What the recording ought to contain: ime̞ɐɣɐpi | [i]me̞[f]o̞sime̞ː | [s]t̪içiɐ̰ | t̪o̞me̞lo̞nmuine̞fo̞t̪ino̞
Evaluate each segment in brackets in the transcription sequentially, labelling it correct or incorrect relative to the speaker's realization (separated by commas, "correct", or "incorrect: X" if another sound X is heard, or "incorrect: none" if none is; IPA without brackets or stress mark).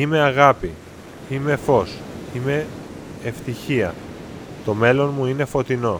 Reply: correct, correct, incorrect: f